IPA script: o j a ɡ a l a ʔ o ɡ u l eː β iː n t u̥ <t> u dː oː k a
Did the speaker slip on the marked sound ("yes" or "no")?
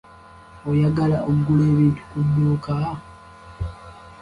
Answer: yes